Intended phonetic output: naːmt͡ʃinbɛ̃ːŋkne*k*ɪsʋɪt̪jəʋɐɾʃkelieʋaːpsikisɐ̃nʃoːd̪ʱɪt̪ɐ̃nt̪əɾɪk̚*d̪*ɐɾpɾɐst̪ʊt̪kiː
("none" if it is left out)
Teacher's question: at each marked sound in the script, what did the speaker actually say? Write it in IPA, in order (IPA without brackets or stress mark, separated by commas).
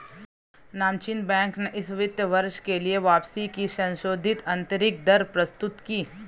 ʔ, d̪